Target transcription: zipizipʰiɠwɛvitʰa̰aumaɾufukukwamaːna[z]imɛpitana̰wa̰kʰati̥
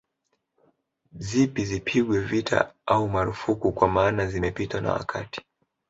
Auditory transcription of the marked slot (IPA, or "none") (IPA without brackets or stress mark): z